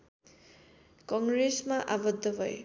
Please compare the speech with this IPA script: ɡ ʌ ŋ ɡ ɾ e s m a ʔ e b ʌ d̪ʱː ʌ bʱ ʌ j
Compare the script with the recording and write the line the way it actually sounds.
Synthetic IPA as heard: k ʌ ŋ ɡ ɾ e s m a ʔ a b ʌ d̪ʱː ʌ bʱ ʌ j